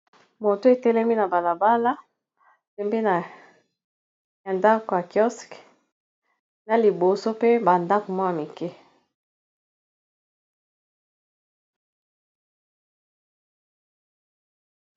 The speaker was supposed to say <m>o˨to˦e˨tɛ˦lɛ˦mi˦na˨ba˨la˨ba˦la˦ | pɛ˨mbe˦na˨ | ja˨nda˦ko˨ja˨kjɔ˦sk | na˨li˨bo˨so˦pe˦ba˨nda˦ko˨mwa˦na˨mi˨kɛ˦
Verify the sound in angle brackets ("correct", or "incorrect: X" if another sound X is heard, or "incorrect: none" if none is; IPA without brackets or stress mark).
correct